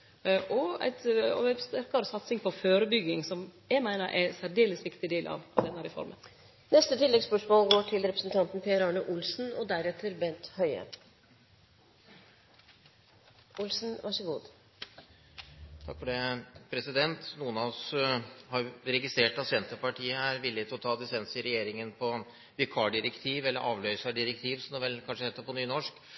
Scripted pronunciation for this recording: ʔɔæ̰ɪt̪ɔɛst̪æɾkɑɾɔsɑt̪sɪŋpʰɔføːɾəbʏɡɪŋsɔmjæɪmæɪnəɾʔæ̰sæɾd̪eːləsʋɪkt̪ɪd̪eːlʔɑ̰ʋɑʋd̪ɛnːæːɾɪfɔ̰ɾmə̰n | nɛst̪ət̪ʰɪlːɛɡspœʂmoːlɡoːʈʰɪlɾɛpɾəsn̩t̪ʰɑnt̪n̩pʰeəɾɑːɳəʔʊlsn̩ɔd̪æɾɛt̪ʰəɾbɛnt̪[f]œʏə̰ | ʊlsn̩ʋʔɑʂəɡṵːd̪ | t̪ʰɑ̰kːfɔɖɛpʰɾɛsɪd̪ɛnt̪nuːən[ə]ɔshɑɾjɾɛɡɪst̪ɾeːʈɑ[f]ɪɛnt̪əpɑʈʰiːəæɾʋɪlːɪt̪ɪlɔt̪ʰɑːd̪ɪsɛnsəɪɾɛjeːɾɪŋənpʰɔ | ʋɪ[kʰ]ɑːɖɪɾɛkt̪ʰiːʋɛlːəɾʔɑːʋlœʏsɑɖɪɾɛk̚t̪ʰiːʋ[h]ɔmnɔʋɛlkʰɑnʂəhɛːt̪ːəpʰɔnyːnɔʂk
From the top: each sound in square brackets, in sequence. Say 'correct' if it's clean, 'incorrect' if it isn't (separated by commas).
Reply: incorrect, incorrect, incorrect, correct, incorrect